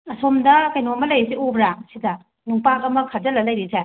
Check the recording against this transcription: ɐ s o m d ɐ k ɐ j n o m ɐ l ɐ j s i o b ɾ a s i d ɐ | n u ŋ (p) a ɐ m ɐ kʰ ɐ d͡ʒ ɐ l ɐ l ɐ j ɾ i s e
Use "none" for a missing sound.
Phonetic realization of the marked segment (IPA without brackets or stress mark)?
p